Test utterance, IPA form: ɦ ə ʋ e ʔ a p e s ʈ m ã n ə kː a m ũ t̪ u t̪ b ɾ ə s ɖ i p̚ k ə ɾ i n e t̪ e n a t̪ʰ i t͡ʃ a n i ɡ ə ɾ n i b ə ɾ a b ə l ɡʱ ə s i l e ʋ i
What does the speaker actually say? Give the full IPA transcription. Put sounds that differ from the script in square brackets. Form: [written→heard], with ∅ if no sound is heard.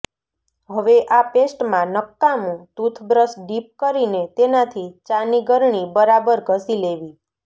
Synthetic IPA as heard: ɦ ə ʋ e ʔ a p e s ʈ m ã n ə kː a m ũ t̪ u [t̪→t̪ʰ] b ɾ ə s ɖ i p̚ k ə ɾ i n e t̪ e n a t̪ʰ i t͡ʃ a n i ɡ ə ɾ [n→ɳ] i b ə ɾ a b ə [l→ɾ] ɡʱ ə s i l e ʋ i